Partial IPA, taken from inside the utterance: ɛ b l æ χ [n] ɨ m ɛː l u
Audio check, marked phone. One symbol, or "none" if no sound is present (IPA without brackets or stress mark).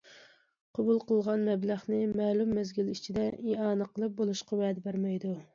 n